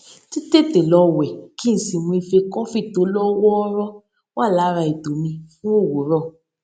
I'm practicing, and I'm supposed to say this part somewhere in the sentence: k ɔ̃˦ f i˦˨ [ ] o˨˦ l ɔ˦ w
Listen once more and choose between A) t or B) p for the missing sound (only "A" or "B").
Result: A